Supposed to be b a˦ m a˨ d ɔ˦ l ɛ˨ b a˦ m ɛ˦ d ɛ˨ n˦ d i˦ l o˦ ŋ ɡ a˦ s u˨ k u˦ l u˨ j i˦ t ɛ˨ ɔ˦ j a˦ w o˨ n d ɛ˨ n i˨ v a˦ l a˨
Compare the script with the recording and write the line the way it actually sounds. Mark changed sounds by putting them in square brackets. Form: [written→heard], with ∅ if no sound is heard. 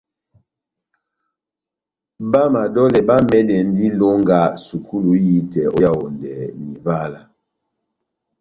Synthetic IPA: b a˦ m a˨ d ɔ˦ l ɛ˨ b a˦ m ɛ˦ d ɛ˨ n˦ d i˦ l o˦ ŋ ɡ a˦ s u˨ k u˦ l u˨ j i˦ t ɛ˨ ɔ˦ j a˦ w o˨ n d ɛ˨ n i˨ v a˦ l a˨